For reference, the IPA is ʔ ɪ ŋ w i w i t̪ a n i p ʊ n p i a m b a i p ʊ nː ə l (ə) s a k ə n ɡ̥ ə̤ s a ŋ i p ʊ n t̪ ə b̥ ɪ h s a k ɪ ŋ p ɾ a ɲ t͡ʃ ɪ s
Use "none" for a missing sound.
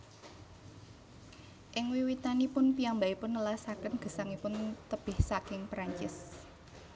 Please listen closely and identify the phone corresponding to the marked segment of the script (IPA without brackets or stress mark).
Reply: a